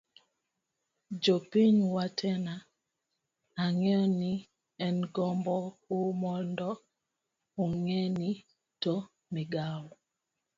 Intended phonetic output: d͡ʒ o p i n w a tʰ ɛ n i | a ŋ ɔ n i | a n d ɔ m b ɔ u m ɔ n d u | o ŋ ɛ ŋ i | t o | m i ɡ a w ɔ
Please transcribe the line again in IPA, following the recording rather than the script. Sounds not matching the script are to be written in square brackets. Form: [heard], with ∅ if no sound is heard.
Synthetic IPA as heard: d͡ʒ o p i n w a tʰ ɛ n [a] | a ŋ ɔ n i | [ɛ] n [ɡ] ɔ m b ɔ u m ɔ n d [ɔ] | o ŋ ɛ [n] i | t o | m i ɡ a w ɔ